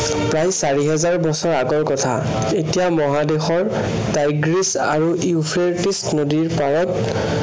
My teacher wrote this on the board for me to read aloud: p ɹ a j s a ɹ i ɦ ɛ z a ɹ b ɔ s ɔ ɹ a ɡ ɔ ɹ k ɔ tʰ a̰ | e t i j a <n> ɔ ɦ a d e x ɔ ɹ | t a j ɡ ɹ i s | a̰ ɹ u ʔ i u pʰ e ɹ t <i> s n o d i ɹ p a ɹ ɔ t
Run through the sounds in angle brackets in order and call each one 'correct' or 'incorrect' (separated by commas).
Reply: incorrect, correct